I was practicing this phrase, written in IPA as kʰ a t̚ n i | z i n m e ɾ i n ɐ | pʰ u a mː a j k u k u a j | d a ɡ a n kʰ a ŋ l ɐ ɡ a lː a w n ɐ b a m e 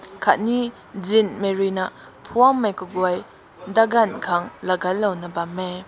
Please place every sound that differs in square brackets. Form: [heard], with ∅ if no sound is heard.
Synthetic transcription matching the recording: kʰ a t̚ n i | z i n m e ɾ i n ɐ | pʰ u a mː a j k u [ɡ] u a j | d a ɡ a n kʰ a ŋ l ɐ ɡ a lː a w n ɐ b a m e

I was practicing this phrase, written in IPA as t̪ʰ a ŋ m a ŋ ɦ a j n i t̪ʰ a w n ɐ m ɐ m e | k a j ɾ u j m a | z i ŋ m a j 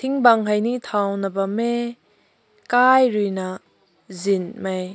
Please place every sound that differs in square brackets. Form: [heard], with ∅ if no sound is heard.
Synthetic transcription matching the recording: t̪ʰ [i] ŋ [b] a ŋ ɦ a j n i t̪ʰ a w n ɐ [b] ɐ m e | k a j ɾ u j [n] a | z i [n] m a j

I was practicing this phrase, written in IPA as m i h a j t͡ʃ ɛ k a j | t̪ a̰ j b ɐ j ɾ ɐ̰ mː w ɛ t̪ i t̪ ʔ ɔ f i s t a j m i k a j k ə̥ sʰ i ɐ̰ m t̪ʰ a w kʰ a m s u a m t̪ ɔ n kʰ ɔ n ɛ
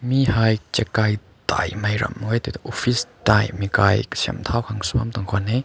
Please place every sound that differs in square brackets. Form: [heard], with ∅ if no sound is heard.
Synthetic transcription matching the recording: m i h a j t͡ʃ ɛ k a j | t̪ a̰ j [m] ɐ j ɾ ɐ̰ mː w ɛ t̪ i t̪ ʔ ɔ f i s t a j m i k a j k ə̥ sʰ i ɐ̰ m t̪ʰ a w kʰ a [ŋ] s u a m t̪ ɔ [ŋ] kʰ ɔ n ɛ

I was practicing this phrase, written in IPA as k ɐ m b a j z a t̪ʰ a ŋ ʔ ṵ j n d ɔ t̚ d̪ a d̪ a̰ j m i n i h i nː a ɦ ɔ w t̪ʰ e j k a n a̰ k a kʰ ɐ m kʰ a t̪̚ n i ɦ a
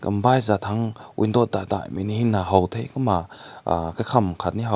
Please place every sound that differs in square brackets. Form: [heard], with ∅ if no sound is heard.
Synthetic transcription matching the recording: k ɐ m b a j z a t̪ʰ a ŋ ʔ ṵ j n d ɔ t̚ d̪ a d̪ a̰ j m i n i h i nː a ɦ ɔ w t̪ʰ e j k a [m] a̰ k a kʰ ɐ m kʰ a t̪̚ n i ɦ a

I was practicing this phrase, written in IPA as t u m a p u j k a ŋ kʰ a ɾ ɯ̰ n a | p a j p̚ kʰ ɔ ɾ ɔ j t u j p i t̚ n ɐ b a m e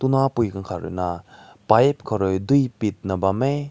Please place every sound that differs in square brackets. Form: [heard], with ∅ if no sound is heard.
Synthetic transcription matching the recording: t u [n] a p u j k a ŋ kʰ a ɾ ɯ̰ n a | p a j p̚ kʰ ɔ ɾ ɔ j [d] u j p i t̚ n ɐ b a m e

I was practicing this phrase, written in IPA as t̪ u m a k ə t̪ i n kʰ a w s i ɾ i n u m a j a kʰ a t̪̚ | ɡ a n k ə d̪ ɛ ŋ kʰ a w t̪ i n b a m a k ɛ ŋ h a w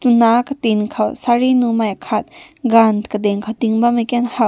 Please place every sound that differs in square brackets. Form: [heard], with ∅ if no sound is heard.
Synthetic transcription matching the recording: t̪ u [n] a k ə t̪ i n kʰ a w s [a] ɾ i n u m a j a kʰ a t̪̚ | ɡ a n k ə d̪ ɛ ŋ kʰ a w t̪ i [ŋ] b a m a k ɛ [n] h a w

